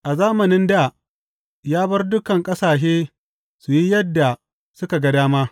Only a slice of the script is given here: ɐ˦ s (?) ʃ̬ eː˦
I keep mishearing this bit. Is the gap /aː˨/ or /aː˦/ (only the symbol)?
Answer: aː˨